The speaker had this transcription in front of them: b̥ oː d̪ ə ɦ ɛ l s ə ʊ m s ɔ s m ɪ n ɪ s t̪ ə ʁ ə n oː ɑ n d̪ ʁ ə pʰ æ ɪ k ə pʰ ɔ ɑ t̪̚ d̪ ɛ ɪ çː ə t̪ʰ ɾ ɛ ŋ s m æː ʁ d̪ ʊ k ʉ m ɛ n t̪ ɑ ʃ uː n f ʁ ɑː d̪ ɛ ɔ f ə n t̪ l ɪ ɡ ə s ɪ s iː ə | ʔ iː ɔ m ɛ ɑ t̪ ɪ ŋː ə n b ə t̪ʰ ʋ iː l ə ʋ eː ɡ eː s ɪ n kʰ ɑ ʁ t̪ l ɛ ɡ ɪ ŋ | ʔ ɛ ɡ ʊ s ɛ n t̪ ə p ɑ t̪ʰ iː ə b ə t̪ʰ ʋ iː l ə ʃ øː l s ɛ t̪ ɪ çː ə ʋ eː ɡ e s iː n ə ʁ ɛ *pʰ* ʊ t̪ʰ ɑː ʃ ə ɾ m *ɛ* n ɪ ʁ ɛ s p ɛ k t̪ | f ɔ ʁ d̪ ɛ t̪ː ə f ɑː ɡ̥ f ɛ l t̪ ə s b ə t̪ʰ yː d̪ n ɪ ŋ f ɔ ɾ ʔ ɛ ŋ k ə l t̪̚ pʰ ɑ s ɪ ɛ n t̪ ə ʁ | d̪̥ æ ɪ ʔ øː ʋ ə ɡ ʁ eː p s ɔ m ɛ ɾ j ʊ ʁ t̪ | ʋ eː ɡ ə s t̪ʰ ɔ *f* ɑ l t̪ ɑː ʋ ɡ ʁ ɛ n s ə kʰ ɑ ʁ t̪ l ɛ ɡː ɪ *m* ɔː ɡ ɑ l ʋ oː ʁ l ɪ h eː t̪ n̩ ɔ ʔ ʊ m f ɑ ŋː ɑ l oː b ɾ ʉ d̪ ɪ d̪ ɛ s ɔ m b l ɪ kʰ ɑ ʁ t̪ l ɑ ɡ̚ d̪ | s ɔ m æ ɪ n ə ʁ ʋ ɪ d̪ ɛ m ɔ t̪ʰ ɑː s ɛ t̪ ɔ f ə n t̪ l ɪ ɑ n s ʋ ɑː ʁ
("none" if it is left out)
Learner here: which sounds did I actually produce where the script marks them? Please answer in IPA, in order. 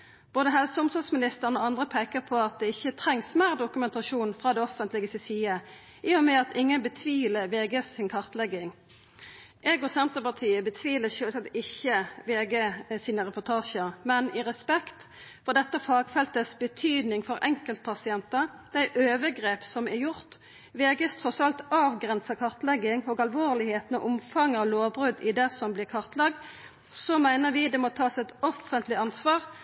p, ɛ, s, ŋ

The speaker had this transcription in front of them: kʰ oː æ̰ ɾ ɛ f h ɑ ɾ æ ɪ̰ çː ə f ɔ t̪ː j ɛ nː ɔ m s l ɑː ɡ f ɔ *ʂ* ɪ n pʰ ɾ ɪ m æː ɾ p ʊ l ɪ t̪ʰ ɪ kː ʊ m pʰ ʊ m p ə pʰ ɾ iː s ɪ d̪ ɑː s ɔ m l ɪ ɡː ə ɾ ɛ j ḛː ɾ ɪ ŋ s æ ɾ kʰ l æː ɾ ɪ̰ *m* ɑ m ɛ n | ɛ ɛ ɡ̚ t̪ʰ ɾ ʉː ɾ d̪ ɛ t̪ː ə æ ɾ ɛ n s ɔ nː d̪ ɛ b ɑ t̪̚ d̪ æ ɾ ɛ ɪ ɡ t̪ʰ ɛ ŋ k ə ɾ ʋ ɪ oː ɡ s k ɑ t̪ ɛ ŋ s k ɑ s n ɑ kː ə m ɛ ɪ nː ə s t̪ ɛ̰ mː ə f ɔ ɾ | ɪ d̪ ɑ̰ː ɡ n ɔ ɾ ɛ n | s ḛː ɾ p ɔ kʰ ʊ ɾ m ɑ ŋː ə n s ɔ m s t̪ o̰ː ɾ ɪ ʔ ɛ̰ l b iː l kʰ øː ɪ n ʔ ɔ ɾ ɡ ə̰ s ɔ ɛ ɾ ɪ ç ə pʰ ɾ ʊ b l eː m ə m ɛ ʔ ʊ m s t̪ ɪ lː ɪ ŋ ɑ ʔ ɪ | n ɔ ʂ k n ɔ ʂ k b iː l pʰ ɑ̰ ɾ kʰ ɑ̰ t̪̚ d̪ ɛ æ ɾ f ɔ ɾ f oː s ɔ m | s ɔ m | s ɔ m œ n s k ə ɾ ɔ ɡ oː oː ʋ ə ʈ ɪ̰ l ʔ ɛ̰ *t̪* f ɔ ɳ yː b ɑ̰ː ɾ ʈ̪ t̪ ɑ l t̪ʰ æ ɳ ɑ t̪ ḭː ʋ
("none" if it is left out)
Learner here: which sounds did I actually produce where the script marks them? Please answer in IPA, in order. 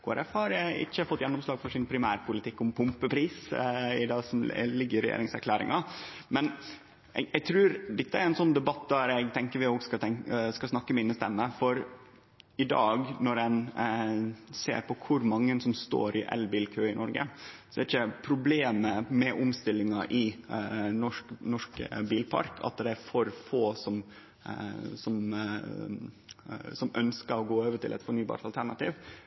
ʂ, ŋ, t̪

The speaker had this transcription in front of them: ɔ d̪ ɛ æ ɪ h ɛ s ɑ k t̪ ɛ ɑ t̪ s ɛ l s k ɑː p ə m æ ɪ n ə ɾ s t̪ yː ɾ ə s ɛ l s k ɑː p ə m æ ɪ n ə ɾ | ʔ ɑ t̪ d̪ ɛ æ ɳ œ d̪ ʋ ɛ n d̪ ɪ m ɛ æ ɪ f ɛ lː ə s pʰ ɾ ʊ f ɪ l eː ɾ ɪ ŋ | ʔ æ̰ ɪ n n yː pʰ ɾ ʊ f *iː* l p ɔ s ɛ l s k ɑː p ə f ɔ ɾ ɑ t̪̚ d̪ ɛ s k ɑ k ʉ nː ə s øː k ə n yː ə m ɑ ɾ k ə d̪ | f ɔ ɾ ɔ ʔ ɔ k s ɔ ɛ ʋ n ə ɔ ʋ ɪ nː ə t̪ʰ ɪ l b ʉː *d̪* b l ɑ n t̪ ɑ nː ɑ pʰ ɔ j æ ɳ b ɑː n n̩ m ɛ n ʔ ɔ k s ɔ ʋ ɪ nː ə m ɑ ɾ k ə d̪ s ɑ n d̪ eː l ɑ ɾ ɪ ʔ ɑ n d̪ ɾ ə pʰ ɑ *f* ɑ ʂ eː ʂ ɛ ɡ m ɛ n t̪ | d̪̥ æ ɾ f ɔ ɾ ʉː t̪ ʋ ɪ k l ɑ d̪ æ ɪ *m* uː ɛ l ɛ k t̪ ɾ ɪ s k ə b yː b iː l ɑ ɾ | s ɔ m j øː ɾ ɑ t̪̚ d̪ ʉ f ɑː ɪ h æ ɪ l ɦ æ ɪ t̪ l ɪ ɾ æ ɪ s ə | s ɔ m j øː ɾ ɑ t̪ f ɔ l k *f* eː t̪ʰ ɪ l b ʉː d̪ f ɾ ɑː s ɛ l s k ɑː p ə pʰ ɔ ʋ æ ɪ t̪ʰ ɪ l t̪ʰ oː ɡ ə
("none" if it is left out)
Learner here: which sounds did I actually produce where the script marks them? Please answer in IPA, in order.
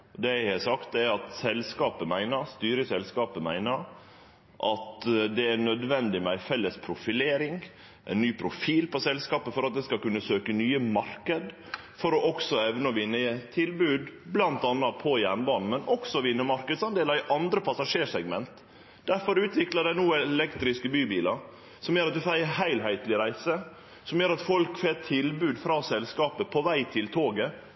iː, d̪, s, n, f

